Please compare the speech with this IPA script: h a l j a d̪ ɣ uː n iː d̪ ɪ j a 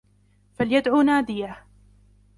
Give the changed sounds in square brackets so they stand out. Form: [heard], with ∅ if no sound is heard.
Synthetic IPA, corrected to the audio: [f] a l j a d̪ [ʕ] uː n [aː] d̪ ɪ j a